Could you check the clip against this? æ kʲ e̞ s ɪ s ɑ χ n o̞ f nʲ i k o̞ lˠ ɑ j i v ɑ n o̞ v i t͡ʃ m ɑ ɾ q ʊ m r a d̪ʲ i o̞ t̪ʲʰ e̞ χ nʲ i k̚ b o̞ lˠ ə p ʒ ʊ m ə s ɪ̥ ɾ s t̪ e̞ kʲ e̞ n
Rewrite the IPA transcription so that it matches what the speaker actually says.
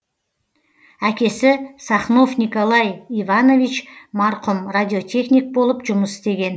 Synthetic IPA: æ kʲ e̞ s ɪ s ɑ χ n o̞ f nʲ i k o̞ lˠ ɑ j i v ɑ n o̞ v i t͡ʃ m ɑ ɾ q ʊ m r a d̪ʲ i o̞ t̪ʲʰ e̞ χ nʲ i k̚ b o̞ lˠ ə p ʒ ʊ m ə s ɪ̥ s t̪ e̞ ɡʲ e̞ n